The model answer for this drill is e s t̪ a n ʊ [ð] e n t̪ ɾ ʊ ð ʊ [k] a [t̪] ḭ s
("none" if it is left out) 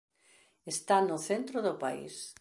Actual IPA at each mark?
θ, p, none

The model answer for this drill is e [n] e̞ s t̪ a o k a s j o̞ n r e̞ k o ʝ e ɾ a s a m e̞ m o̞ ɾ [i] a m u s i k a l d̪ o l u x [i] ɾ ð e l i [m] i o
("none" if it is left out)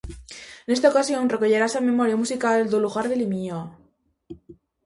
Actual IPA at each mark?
n, j, a, m

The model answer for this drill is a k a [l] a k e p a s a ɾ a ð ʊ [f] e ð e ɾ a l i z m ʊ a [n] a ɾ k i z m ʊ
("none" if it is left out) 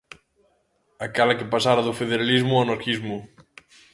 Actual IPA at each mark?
l, f, n

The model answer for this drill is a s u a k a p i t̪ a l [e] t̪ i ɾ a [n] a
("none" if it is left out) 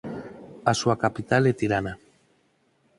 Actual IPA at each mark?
e, n

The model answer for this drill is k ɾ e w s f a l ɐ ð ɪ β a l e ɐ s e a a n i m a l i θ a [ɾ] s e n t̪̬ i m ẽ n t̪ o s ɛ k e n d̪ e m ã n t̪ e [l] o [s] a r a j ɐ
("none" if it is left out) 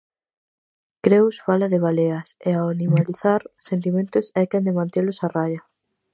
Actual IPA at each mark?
ɾ, l, s

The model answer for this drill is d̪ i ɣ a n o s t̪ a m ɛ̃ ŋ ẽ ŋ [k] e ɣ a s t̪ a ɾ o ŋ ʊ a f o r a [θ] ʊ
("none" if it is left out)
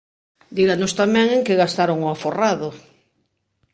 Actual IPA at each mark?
k, ð

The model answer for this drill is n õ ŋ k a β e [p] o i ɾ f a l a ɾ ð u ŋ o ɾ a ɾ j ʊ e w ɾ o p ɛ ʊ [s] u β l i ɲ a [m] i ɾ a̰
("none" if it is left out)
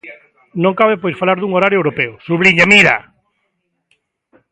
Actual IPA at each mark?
p, s, m

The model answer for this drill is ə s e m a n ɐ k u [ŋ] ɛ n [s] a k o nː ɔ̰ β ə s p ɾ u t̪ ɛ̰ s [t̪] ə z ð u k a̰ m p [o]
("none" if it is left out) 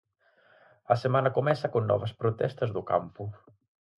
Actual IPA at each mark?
m, s, t̪, u

